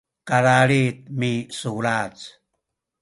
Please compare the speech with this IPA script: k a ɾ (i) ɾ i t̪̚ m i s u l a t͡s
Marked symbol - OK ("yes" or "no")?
no